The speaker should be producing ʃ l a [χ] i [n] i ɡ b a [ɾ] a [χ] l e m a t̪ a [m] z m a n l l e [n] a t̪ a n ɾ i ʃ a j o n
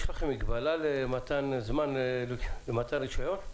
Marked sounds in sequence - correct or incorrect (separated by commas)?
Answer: correct, incorrect, incorrect, incorrect, incorrect, incorrect